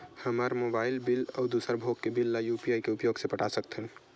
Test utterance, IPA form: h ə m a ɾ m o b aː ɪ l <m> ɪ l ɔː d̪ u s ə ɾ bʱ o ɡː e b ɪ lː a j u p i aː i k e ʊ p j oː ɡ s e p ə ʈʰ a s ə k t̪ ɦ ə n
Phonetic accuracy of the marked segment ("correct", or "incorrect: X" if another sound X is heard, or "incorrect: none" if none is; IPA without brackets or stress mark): incorrect: b